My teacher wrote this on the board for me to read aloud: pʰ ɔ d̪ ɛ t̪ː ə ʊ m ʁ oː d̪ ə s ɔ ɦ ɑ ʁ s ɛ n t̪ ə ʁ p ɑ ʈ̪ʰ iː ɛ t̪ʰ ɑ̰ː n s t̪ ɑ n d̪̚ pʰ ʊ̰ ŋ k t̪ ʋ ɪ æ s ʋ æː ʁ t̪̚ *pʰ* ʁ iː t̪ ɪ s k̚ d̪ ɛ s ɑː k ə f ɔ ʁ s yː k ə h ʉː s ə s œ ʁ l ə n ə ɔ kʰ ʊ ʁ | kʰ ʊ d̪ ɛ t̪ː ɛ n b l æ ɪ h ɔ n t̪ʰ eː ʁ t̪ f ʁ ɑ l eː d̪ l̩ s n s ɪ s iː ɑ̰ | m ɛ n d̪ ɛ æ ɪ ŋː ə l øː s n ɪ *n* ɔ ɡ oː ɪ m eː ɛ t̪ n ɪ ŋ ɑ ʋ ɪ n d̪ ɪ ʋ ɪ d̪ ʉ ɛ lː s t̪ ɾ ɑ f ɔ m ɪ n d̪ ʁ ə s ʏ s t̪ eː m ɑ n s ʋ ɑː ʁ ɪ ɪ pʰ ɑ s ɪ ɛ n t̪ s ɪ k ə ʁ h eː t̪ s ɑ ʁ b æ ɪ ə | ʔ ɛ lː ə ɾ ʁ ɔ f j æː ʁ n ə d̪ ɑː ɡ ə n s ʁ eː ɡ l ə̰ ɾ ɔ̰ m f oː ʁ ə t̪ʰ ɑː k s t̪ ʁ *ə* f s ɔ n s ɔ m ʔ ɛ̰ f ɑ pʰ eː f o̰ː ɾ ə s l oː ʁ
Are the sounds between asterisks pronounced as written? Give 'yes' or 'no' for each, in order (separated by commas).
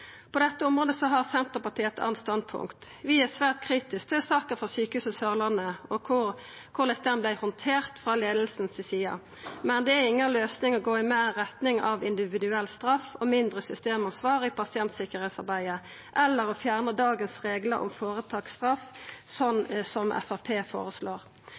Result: no, no, no